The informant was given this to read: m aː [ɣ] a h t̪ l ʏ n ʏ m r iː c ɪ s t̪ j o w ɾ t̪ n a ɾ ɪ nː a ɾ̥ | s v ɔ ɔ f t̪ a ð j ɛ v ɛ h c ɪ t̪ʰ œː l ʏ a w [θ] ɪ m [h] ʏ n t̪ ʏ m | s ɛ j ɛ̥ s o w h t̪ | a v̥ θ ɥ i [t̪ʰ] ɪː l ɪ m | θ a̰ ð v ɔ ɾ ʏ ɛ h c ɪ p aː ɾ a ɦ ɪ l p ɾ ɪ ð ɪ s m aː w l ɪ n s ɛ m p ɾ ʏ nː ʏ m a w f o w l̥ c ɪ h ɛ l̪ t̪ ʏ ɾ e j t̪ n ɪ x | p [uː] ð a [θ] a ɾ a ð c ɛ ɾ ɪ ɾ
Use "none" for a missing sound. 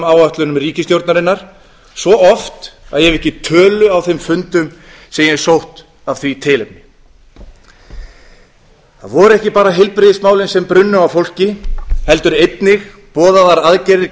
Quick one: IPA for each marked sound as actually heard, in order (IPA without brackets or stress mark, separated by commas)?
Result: w, θ, f, t̪ʰ, ɔː, ð